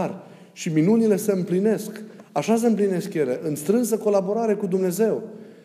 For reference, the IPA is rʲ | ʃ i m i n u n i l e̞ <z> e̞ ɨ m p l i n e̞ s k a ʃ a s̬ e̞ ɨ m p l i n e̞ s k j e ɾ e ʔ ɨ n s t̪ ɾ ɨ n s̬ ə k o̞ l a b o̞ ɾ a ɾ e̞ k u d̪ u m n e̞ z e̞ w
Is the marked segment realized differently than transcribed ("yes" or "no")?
yes